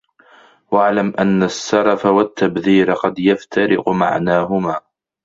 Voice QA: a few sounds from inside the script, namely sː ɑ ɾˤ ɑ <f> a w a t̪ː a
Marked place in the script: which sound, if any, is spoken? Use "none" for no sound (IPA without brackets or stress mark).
f